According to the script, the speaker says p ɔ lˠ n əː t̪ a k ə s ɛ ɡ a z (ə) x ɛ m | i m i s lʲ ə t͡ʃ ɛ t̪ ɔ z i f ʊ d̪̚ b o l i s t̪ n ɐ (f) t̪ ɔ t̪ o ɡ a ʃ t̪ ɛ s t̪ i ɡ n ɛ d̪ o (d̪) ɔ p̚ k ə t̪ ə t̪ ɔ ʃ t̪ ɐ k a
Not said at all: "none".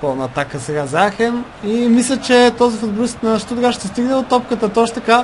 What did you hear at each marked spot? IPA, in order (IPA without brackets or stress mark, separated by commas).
a, ʃ, t̪